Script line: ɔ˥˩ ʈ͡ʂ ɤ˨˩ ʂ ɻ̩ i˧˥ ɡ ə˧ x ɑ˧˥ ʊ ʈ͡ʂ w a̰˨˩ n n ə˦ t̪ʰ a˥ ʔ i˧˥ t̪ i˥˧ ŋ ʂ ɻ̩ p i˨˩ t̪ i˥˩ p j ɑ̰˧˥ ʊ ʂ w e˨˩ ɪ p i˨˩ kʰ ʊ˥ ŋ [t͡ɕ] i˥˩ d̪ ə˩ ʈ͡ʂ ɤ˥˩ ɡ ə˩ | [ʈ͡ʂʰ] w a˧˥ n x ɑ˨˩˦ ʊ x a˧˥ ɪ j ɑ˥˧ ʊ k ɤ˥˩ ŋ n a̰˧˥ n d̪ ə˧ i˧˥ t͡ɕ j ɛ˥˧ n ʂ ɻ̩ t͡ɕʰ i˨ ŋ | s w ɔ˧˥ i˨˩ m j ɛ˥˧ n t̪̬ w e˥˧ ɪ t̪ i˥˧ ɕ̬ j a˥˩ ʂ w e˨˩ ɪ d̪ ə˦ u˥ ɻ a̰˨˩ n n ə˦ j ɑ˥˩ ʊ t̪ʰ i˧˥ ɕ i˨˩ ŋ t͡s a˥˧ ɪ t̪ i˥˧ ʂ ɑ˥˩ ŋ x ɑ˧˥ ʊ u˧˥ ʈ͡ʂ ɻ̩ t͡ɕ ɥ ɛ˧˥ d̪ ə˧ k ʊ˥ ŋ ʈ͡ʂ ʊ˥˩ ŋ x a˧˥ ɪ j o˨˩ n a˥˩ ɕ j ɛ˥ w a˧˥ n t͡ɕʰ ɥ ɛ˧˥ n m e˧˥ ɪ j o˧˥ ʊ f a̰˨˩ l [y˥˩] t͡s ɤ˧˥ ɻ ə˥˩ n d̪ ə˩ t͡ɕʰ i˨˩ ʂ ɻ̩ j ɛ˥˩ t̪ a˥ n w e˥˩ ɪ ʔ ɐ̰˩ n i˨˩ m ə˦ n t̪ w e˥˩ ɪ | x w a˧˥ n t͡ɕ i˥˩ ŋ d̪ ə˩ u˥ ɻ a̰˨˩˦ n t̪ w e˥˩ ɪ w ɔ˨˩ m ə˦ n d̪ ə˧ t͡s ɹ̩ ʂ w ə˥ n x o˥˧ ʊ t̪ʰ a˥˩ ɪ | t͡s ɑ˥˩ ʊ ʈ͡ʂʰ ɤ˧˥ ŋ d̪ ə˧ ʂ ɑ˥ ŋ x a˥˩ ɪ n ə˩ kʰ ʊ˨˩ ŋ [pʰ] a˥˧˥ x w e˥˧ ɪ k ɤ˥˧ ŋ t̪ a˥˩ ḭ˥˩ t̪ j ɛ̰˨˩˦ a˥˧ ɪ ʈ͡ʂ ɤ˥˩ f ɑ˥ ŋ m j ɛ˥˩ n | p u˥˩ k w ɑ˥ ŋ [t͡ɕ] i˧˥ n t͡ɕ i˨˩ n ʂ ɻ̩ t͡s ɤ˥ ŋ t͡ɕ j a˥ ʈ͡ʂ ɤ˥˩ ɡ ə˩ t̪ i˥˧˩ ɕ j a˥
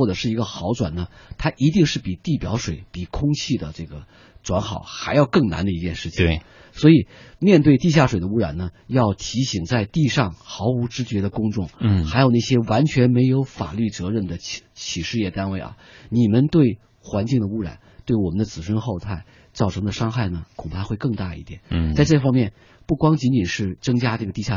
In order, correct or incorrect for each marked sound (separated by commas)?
incorrect, incorrect, correct, correct, correct